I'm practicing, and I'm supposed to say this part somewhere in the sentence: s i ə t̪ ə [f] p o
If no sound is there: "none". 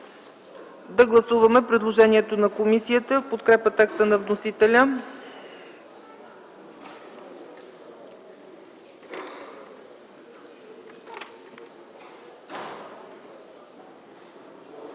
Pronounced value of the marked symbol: f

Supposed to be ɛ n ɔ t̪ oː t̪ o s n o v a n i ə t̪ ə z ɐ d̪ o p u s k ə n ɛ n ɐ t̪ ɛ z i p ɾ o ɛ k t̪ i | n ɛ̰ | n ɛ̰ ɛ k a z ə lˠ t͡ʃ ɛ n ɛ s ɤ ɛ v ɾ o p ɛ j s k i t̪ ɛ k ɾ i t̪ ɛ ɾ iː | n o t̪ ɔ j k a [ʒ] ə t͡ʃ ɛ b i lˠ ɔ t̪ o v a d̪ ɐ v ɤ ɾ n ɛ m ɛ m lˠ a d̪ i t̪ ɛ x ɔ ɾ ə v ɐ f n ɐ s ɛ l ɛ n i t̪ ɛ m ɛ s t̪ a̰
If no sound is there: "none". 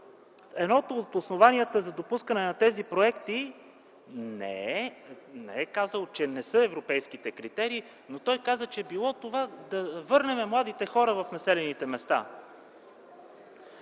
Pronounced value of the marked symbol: z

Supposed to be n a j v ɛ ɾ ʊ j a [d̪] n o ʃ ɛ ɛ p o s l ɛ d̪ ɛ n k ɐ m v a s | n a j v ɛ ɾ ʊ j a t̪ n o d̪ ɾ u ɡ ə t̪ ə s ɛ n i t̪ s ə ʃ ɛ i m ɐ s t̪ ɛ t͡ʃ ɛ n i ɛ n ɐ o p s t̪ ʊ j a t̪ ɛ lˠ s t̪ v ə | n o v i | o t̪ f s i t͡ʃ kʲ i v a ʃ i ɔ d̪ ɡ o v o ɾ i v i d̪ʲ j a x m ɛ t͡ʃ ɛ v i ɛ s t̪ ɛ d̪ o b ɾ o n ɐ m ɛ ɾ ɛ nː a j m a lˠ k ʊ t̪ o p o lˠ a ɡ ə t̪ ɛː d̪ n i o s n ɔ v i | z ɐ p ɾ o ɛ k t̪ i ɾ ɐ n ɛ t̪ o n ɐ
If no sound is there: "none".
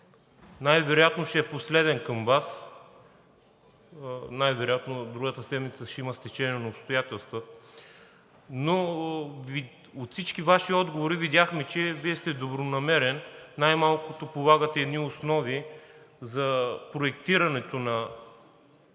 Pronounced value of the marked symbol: t̪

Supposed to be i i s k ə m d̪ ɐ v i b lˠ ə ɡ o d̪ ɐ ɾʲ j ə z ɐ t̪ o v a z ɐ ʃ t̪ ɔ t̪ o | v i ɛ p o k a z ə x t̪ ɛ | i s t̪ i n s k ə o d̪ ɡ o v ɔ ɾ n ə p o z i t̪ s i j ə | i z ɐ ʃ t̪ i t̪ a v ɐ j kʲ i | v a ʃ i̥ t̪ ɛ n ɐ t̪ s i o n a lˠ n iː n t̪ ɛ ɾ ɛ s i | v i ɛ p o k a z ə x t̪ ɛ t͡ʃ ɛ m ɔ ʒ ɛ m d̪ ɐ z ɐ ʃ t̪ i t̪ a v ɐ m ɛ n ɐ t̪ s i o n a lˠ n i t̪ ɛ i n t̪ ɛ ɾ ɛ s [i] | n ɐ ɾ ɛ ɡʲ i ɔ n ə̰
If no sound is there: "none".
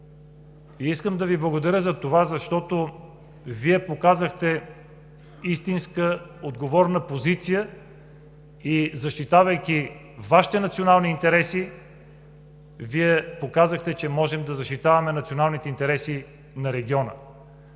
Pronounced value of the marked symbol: i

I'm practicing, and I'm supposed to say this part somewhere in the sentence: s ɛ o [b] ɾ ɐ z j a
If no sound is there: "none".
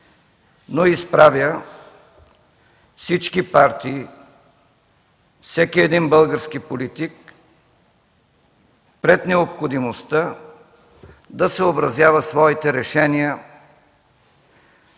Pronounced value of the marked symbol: b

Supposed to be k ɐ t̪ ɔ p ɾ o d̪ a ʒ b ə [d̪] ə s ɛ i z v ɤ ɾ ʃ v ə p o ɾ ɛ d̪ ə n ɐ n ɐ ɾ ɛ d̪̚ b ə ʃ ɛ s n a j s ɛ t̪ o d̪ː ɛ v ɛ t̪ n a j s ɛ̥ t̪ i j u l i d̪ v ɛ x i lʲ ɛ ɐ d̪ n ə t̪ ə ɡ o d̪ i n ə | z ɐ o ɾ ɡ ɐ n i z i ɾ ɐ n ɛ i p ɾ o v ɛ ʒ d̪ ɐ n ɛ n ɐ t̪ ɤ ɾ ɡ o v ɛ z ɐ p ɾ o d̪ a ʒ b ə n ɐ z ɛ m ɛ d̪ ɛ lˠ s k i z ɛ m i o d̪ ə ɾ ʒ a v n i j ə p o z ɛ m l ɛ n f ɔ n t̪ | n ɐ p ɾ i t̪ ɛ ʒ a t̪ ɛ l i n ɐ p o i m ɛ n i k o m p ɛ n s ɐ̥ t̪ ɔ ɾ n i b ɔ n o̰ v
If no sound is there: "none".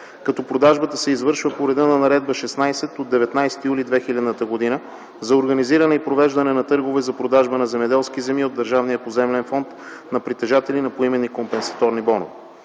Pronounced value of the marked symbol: t̪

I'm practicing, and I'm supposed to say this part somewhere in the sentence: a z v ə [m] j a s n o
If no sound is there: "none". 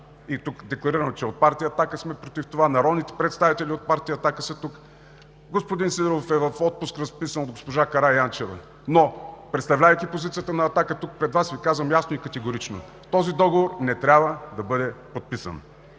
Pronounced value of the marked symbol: m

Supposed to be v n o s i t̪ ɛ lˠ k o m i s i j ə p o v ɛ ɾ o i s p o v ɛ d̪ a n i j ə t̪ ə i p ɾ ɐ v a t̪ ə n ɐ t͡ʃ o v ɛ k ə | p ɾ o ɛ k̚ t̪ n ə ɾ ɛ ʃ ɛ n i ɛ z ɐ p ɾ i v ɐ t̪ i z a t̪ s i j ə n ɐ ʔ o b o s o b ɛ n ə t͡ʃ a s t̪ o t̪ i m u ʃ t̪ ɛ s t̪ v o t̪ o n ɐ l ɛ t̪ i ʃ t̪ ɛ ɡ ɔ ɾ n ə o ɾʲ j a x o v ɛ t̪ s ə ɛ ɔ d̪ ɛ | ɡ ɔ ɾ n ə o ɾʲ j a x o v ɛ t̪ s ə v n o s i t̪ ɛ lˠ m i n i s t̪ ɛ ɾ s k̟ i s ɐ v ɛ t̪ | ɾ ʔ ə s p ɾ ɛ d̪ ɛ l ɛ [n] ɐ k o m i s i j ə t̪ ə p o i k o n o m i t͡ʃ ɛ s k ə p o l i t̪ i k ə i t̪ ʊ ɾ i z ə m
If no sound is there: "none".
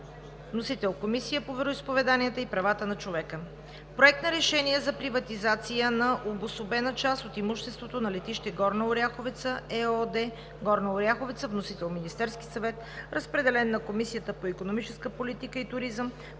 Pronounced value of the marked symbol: nː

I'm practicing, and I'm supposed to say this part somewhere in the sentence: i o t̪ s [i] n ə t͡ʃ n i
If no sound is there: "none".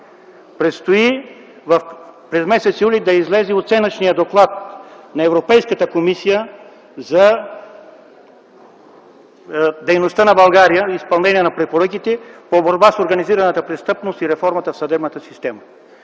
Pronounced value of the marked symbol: ɛ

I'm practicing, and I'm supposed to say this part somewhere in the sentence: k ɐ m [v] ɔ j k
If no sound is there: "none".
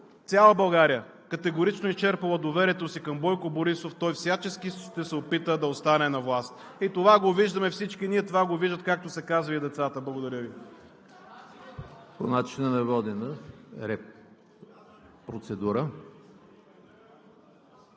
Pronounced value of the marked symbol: b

